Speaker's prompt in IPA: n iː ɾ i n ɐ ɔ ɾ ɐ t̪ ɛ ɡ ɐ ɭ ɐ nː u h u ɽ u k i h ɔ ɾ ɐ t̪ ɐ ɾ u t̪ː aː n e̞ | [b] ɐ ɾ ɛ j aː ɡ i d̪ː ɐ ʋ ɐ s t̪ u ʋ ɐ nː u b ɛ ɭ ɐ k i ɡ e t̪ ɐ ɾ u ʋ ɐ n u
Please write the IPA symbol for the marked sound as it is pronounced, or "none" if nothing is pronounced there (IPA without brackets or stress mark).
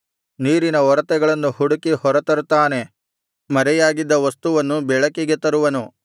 m